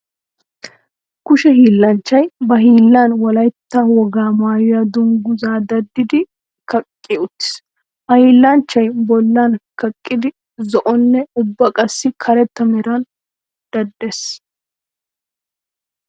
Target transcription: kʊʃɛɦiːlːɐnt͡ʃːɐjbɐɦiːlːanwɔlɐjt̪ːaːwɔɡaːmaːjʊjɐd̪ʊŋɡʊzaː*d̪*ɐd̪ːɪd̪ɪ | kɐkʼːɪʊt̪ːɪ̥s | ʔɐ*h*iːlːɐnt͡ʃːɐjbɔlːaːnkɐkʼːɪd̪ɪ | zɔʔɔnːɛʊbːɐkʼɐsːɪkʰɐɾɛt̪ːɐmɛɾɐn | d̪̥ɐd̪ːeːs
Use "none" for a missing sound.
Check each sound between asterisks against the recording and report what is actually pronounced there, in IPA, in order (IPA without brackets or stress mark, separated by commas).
d̪, h